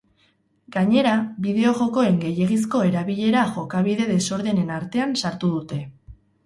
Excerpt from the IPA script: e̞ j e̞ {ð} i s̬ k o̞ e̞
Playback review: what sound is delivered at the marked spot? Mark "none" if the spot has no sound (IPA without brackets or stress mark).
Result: ɣ